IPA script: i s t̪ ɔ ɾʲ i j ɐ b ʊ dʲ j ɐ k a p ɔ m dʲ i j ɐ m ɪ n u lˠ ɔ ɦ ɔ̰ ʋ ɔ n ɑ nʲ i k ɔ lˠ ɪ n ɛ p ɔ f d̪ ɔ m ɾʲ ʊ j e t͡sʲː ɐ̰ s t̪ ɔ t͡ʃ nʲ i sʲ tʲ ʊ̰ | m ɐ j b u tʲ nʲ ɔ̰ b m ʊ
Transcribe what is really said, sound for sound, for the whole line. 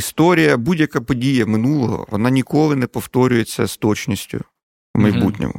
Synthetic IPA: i s t̪ ɔ ɾʲ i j ɐ b u dʲ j ɐ k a p ɔ dʲ i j ɐ m ɪ n u lˠ ɔ ɦ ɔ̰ ʋ ɔ n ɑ nʲ i k ɔ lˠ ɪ n ɛ p ɔ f t̪ ɔ ɾʲ ʊ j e t͡sʲː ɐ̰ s t̪ ɔ t͡ʃ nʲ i sʲ tʲ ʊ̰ | m ɐ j b u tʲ nʲ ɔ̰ m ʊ